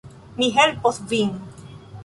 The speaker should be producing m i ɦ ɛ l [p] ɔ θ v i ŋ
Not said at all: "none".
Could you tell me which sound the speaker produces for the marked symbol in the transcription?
p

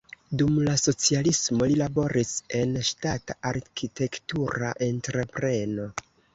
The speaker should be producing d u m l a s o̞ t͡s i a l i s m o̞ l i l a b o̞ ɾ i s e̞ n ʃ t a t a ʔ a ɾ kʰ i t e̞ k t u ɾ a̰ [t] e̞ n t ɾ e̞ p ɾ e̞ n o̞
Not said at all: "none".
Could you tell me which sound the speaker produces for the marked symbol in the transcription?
ʔ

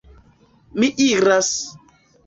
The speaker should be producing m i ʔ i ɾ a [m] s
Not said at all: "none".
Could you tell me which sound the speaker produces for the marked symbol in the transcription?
none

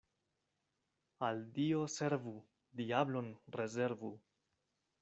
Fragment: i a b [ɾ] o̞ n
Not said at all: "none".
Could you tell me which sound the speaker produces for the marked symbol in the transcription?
l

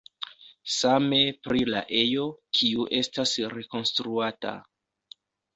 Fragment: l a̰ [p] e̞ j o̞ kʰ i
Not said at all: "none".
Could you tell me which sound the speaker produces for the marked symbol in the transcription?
ʔ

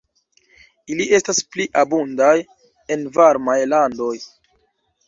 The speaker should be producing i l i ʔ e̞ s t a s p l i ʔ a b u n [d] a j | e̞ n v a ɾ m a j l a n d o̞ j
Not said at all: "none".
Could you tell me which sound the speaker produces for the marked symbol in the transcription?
d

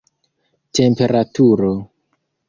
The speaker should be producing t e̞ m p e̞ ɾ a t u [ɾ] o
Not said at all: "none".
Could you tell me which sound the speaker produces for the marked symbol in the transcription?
ɾ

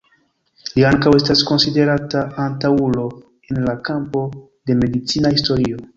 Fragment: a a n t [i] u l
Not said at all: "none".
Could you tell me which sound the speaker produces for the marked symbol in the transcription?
a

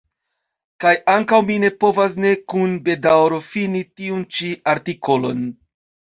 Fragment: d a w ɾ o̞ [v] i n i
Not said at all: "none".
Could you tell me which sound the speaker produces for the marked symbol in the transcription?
f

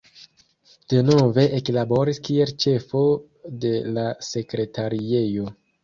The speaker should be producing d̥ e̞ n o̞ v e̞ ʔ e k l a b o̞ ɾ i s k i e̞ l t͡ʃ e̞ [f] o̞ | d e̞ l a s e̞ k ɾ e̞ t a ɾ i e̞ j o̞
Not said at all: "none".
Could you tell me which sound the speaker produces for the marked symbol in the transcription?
f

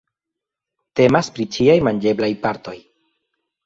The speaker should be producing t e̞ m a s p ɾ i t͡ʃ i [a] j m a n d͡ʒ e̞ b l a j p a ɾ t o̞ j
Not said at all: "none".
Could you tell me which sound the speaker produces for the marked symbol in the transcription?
a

